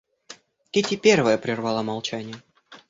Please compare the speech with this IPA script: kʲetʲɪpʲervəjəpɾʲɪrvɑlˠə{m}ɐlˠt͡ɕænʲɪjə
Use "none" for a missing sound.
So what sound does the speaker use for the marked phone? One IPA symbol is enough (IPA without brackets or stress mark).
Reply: m